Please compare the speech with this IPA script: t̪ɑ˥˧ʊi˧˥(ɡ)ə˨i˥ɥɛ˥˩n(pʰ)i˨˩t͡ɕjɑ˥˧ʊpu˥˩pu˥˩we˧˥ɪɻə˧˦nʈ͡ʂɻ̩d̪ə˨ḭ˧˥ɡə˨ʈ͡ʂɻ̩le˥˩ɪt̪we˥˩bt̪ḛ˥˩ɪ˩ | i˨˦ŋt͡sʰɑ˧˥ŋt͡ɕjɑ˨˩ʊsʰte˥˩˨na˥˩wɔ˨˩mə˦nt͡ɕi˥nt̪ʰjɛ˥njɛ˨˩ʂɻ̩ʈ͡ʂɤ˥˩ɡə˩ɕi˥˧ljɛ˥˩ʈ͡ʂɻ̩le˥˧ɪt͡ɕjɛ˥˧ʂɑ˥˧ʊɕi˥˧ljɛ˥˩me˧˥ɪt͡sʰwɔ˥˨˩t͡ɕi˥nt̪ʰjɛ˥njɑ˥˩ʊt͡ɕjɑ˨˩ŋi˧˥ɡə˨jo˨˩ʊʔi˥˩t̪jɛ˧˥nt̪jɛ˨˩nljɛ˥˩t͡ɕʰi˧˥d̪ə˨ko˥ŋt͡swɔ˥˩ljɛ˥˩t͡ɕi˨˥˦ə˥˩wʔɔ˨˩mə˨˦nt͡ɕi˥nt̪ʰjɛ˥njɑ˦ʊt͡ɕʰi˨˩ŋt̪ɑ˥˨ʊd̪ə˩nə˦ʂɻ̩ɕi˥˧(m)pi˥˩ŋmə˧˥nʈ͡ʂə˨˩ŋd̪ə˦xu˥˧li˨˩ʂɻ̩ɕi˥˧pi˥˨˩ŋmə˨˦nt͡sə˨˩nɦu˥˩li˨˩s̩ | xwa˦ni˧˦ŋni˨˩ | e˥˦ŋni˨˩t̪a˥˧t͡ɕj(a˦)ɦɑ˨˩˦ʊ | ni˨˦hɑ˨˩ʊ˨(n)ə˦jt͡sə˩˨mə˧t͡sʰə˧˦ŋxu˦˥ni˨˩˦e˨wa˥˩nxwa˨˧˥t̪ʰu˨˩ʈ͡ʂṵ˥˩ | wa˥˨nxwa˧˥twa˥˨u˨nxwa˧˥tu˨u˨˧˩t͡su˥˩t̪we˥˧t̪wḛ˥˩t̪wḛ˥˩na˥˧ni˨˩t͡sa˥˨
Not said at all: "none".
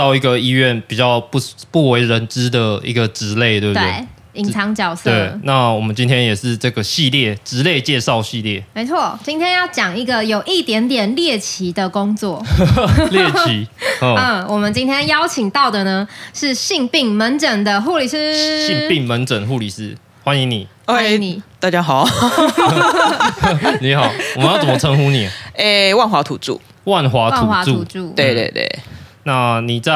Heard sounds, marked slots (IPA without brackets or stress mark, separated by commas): ɡ, p, ŋ, a˦, m